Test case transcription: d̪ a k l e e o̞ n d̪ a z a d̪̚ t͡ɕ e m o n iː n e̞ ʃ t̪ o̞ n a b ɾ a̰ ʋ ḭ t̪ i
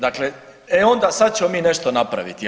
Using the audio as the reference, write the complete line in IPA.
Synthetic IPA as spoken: d̪ a k l e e o̞ n d̪ a s a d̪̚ t͡ɕ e m o m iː n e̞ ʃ t̪ o̞ n a p ɾ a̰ ʋ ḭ t̪ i